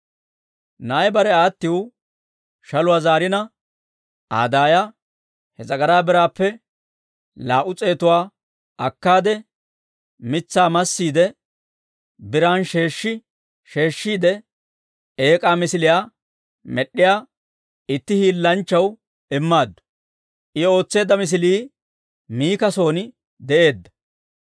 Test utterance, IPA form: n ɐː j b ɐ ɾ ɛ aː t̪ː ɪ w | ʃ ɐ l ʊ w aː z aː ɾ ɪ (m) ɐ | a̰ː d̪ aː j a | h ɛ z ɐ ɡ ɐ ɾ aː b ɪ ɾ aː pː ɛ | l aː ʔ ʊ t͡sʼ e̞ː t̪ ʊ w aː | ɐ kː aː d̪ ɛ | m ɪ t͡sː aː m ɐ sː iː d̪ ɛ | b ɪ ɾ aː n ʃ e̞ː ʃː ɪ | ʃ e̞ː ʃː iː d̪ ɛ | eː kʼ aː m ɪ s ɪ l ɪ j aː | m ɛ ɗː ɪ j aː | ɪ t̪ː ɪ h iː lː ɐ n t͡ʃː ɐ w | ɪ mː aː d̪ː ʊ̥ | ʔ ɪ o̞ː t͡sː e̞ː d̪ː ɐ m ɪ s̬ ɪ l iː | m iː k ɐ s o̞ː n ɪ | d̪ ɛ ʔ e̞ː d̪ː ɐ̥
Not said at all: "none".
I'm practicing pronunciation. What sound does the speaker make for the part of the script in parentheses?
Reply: n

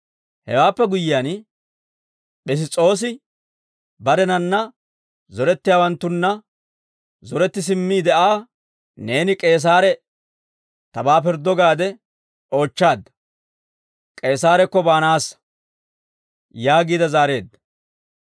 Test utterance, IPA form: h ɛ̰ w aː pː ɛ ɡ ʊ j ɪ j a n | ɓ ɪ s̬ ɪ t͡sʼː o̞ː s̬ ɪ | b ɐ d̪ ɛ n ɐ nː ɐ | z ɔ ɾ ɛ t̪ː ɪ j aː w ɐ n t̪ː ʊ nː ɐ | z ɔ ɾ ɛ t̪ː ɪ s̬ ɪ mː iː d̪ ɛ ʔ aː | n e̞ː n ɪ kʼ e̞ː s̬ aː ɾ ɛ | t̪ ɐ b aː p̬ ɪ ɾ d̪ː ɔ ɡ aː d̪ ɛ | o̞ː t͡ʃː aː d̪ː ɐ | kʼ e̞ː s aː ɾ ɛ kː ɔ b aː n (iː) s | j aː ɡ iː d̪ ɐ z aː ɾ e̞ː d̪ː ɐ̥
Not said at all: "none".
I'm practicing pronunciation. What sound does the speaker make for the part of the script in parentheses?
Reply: aː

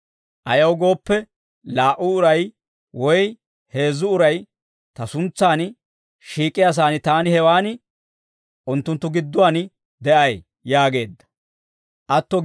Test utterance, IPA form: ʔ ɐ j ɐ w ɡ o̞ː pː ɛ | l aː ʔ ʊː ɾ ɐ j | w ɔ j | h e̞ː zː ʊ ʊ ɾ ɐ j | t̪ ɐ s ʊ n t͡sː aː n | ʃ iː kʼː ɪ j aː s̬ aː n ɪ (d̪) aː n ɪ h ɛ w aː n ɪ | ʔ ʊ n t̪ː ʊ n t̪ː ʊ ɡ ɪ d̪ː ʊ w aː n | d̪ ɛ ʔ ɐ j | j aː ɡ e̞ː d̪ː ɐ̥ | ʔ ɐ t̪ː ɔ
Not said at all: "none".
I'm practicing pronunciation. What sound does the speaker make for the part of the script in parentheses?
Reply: t̪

